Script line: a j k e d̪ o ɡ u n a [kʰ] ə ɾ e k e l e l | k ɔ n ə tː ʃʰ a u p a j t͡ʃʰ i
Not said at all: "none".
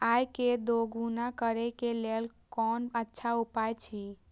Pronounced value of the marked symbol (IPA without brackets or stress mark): k